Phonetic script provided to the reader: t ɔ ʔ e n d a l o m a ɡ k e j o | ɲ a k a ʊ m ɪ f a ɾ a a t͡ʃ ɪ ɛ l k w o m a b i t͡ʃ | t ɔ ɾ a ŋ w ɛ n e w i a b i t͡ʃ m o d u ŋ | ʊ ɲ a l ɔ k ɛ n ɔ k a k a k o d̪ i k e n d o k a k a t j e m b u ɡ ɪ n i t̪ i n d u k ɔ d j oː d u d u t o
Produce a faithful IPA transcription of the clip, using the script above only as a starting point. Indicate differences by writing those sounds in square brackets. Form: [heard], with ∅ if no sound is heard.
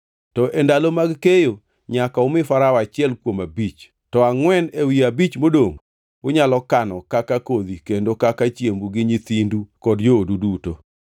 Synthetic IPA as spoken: t ɔ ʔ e n d a l o m a ɡ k e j o | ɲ a k a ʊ m ɪ f a ɾ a a t͡ʃ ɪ ɛ l k w o m a b i t͡ʃ | t ɔ [∅] a ŋ w ɛ n e w i a b i t͡ʃ m o d [o] ŋ | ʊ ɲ a l ɔ k [a] n ɔ k a k a k o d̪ i k e n d o k a k a [t͡ʃ] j e m b u ɡ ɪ [ɲ] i t̪ i n d u k ɔ d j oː d u d u t o